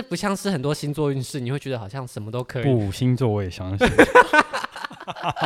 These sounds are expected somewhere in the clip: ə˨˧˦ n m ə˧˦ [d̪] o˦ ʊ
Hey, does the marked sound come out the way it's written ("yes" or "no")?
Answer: no